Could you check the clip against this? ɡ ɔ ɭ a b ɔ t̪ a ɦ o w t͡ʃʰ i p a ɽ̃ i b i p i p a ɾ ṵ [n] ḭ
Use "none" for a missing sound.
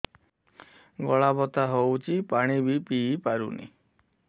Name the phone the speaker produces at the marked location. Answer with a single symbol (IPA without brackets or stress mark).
n